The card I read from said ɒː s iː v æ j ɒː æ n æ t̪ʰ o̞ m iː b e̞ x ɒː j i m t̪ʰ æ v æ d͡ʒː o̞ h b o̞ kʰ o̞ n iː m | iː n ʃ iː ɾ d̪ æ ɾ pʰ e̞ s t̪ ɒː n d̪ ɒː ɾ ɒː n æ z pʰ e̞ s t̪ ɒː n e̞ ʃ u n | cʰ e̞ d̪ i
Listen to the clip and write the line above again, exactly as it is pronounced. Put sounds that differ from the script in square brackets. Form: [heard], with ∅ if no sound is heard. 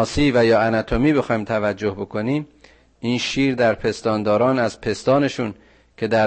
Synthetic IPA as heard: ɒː s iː v æ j ɒː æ n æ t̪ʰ o̞ m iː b e̞ x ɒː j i m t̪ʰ æ v æ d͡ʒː o̞ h b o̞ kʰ o̞ n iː m | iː n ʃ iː ɾ d̪ æ ɾ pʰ e̞ s t̪ ɒː n d̪ ɒː ɾ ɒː n æ z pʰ e̞ s t̪ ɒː n e̞ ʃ u n | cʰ e̞ d̪ [æ]